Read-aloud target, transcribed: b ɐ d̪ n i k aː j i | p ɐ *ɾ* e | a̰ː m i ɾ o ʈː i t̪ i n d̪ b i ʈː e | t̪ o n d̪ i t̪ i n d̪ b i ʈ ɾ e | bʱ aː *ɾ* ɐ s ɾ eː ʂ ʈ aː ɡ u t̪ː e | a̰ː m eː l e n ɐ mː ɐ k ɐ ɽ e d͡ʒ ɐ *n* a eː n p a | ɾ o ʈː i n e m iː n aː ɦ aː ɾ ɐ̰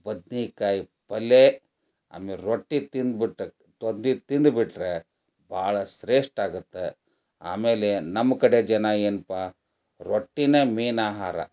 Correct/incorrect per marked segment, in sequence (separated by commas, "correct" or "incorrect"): incorrect, incorrect, correct